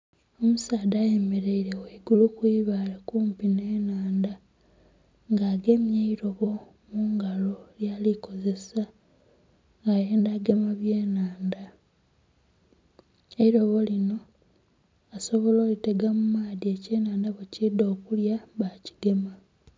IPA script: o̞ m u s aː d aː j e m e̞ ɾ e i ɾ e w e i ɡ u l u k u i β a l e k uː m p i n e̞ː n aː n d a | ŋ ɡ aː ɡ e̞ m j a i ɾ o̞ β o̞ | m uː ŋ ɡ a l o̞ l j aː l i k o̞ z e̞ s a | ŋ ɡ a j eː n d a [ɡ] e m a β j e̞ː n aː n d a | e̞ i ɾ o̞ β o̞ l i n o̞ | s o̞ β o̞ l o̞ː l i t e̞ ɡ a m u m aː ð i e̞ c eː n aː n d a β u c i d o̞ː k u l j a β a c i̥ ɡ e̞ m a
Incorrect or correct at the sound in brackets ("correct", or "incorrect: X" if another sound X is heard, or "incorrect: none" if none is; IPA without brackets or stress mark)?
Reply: correct